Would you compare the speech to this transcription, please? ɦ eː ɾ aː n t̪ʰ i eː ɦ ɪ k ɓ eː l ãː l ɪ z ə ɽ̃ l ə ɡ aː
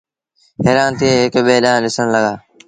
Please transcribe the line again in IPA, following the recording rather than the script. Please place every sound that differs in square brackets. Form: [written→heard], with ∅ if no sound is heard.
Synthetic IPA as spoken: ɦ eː ɾ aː n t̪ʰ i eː ɦ ɪ k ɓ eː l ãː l ɪ [z→s] ə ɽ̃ l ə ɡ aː